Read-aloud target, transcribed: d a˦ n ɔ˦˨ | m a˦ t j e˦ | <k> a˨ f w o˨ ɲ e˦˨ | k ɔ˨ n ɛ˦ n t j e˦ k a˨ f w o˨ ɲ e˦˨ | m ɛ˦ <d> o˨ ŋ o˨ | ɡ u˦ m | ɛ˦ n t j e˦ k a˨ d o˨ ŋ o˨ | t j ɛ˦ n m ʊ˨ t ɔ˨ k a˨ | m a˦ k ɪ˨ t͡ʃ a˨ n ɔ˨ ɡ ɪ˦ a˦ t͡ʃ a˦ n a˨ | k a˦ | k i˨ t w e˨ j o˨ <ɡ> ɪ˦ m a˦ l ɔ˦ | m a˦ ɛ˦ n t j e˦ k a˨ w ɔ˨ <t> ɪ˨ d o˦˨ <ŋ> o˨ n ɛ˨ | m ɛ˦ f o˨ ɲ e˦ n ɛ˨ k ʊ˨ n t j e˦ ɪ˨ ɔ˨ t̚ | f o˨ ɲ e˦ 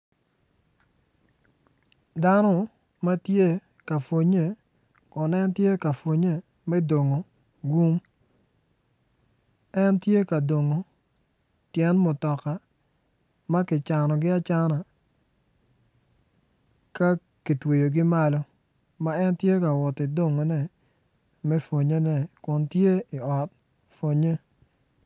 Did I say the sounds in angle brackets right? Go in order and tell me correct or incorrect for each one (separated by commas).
correct, correct, correct, correct, correct